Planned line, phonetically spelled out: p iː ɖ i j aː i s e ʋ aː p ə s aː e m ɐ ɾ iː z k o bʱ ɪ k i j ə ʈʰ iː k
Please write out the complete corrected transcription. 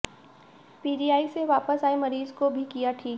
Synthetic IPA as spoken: p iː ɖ i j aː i s e ʋ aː p ə s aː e m ɐ ɾ iː z k o bʱ i k i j a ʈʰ iː k